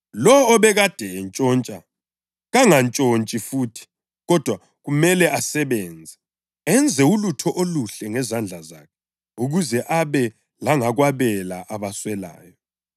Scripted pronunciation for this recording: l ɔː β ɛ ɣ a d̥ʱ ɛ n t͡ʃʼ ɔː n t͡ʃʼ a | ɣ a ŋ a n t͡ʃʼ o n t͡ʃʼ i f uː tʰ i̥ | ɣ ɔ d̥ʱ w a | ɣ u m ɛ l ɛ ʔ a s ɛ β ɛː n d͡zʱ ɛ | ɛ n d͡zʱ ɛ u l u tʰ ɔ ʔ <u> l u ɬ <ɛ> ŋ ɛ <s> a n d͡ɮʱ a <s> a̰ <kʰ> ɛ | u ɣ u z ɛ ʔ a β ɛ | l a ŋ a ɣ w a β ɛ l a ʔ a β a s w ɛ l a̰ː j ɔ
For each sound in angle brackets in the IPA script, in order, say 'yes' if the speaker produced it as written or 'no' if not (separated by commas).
no, yes, no, no, yes